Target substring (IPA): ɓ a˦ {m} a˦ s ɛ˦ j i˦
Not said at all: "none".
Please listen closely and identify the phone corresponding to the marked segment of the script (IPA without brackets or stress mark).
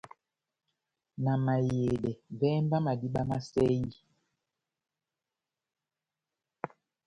m